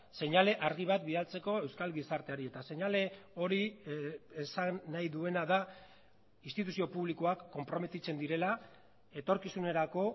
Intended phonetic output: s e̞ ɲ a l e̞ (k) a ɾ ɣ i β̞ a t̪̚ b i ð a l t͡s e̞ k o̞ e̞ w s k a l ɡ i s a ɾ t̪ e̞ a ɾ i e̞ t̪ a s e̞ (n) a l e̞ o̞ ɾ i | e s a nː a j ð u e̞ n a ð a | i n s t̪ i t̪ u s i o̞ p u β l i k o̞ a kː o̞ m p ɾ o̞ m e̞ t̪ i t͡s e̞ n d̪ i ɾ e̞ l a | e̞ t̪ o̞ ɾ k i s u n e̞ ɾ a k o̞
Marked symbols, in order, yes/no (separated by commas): no, no